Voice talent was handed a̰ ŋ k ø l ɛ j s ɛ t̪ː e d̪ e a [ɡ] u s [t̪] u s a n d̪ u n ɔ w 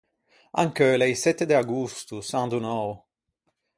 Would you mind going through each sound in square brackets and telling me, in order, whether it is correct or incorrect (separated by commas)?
correct, correct